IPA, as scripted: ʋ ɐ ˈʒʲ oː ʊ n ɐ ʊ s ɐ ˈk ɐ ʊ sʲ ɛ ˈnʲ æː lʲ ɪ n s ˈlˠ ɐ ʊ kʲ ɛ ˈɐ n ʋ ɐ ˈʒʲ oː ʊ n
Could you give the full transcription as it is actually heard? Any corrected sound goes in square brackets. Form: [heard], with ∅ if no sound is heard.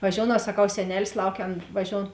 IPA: ʋ ɐ ˈʒʲ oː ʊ n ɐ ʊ s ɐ ˈk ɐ ʊ sʲ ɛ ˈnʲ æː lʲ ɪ [∅] s ˈlˠ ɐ ʊ kʲ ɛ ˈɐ n ʋ ɐ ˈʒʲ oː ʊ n

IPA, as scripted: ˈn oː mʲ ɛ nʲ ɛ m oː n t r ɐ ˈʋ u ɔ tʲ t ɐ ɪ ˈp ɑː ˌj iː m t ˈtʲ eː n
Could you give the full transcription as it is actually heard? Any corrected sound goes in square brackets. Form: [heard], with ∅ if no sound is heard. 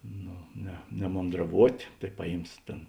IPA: ˈn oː [nʲ] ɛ nʲ ɛ m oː n [d] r ɐ ˈʋ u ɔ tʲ t ɐ ɪ ˈp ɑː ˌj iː m [s] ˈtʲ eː n

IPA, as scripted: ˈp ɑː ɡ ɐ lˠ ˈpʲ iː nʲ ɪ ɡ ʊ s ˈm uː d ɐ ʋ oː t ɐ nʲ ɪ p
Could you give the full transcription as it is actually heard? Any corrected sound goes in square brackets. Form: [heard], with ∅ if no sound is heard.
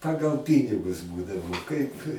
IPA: ˈp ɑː ɡ ɐ lˠ ˈpʲ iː nʲ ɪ ɡ ʊ s [ˈb] uː d ɐ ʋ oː [k] ɐ [∅] ɪ p

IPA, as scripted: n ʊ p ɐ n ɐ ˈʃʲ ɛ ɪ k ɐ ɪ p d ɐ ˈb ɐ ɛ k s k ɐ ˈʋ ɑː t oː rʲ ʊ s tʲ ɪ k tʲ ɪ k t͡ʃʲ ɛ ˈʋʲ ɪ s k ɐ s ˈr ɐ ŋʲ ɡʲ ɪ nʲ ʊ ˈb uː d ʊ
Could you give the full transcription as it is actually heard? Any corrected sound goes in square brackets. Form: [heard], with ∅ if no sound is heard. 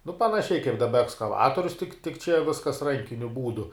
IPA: n ʊ p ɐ n ɐ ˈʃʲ ɛ ɪ k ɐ ɪ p d ɐ ˈb ɐ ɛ k s k ɐ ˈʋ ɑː t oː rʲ ʊ s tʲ ɪ k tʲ ɪ k t͡ʃʲ ɛ ˈʋʲ ɪ s k ɐ s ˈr ɐ ŋʲ [kʲ] ɪ nʲ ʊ ˈb uː d ʊ

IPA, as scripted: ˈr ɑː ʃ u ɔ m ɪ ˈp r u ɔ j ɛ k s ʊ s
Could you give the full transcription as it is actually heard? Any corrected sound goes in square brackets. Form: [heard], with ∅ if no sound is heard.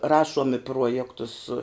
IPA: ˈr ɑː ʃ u ɔ m ɪ ˈp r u ɔ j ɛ k [t] ʊ s

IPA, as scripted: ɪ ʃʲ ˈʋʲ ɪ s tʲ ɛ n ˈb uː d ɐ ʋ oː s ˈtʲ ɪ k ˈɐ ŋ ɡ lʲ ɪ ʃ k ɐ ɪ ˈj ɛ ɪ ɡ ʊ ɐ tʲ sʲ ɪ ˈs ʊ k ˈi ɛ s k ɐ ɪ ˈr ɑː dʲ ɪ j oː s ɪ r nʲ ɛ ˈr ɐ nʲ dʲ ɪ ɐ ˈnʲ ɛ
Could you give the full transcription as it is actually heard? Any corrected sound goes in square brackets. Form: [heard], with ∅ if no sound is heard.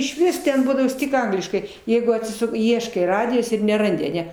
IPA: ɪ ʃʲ ˈʋʲ ɪ s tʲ ɛ n ˈb uː d ɐ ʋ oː s ˈtʲ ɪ k ˈɐ ŋ ɡ lʲ ɪ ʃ k ɐ ɪ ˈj ɛ ɪ ɡ ʊ ɐ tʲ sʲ ɪ ˈs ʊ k ˈi ɛ [ʃ] k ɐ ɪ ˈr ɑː dʲ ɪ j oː s ɪ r nʲ ɛ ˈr ɐ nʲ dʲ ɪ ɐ ˈnʲ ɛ

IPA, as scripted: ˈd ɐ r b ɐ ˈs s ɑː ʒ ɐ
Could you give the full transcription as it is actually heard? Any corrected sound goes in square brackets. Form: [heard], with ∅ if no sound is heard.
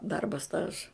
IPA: ˈd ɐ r b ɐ ˈs [t] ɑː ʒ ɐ

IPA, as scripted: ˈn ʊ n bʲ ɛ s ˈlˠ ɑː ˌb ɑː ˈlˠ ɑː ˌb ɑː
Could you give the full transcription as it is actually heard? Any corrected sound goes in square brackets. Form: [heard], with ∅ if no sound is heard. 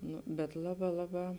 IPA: ˈn ʊ [∅] bʲ ɛ [t] ˈlˠ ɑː ˌb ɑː ˈlˠ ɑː ˌb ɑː

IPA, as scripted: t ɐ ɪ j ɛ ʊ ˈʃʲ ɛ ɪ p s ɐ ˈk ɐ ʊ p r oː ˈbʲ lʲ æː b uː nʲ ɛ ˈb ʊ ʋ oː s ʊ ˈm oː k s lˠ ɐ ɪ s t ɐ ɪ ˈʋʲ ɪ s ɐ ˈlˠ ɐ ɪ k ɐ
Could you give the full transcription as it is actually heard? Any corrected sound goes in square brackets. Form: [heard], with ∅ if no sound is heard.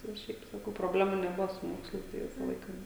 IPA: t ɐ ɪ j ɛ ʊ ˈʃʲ ɛ ɪ p s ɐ ˈk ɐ ʊ p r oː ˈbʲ lʲ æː [m] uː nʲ ɛ ˈb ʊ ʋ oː s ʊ ˈm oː k s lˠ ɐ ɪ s t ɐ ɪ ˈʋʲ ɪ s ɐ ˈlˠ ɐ ɪ k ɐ

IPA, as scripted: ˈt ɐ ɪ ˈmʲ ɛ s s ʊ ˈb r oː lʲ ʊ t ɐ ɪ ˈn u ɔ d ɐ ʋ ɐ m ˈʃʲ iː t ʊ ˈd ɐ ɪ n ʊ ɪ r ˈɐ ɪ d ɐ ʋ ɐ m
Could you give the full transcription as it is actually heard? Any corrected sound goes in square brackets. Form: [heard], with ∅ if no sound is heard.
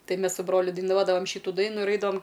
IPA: ˈt ɐ ɪ ˈmʲ ɛ s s ʊ ˈb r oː lʲ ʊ [d] ɐ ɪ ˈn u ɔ d ɐ ʋ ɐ m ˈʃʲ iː t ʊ ˈd ɐ ɪ n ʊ ɪ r ˈɐ ɪ d ɐ ʋ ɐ m

